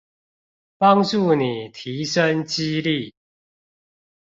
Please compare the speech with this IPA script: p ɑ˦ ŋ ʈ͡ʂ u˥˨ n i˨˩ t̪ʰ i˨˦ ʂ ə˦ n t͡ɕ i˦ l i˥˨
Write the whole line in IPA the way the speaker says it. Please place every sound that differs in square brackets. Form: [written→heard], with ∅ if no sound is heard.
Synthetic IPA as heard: p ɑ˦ ŋ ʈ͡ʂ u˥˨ n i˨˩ t̪ʰ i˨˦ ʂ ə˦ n t͡ɕ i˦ l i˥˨